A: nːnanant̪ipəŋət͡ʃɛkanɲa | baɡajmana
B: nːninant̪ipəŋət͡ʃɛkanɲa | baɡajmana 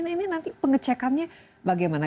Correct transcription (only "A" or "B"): B